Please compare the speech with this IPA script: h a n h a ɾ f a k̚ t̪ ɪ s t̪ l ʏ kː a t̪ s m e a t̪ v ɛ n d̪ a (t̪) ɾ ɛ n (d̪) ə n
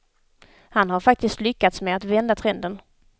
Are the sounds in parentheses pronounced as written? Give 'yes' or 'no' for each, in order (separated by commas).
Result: no, yes